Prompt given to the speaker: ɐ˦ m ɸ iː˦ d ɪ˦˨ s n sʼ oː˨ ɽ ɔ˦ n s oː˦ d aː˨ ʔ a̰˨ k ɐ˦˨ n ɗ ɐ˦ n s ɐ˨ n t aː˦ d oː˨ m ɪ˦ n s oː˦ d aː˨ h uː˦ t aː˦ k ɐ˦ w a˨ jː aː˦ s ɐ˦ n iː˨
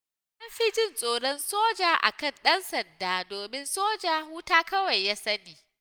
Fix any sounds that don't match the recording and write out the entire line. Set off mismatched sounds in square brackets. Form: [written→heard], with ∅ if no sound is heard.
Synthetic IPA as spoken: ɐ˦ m ɸ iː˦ [d→d͡ʒ] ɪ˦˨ [s→∅] n sʼ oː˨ ɽ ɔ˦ n s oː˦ [d→d͡ʒ] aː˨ ʔ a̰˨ k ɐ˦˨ n ɗ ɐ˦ n s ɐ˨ n [t→d] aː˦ d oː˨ m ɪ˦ n s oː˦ [d→d͡ʒ] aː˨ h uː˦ t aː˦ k ɐ˦ w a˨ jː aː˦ s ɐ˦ n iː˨

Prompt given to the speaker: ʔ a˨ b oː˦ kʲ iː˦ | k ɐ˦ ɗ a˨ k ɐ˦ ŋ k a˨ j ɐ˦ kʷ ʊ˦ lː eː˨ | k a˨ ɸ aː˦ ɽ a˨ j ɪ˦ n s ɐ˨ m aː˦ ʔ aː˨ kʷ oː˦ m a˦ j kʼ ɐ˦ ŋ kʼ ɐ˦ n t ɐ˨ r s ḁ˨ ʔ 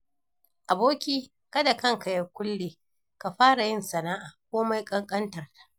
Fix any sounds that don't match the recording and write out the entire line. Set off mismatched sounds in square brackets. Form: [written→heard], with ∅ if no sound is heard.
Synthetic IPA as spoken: ʔ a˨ b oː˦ kʲ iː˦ | k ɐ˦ [ɗ→d] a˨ k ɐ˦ ŋ k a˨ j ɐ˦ kʷ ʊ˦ lː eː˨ | k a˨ ɸ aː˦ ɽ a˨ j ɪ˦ n s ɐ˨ [m→n] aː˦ ʔ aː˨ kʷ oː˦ m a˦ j kʼ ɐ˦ ŋ kʼ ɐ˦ n t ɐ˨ r [s→t] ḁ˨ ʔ

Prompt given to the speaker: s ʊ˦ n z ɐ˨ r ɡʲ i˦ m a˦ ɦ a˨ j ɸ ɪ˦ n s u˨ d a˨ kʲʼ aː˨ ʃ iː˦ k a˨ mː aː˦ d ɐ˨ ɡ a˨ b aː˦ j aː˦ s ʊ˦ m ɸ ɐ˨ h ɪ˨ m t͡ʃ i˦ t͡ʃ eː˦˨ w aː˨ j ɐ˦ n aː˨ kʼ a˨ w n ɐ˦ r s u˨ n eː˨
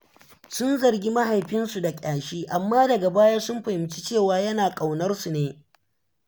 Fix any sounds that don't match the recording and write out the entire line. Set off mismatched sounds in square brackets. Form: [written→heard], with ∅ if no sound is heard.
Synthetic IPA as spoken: s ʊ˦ n z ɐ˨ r ɡʲ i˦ m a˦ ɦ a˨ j ɸ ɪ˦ n s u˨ d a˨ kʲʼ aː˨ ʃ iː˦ [k→ʔ] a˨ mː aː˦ d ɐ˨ ɡ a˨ b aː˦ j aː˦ s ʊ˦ m ɸ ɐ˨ h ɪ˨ m t͡ʃ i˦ t͡ʃ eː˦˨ w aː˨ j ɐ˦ n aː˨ kʼ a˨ w n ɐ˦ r s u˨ n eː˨

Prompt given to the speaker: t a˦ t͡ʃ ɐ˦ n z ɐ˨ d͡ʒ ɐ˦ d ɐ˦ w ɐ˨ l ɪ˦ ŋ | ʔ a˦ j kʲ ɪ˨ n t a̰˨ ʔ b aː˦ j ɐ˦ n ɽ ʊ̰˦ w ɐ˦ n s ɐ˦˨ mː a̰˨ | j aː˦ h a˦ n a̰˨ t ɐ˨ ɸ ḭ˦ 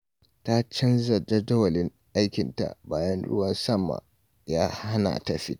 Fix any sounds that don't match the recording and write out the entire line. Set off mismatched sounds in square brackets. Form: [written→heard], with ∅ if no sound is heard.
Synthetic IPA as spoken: t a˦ t͡ʃ ɐ˦ n z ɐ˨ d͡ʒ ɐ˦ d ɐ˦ w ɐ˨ l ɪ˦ ŋ | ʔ a˦ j kʲ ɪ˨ n t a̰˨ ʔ b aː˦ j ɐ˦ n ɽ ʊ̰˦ w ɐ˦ n s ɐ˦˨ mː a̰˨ | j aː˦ h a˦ n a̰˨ t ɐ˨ ɸ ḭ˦

